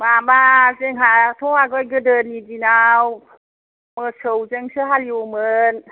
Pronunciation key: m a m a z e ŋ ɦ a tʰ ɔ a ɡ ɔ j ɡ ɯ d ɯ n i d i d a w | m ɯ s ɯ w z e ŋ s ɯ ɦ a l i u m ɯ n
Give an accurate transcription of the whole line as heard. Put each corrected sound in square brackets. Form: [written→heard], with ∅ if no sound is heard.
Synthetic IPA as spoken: m a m a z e ŋ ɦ a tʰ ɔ a ɡ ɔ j ɡ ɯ d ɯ n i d i [d→n] a w | m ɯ s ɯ w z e ŋ s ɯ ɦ a l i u m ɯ n